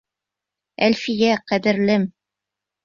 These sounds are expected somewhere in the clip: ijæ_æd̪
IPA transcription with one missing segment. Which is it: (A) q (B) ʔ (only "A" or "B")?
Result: A